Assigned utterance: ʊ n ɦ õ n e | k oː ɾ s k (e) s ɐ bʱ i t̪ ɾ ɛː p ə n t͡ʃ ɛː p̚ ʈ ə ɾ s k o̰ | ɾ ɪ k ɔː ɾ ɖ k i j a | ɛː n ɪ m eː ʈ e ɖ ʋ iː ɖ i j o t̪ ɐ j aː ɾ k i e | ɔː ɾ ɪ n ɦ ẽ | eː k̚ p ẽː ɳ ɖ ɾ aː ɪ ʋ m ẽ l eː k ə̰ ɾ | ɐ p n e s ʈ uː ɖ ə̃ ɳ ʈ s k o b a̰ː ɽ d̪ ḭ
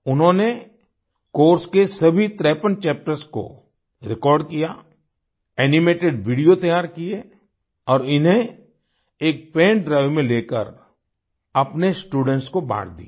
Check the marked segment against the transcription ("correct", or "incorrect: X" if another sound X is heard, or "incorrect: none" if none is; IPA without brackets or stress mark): correct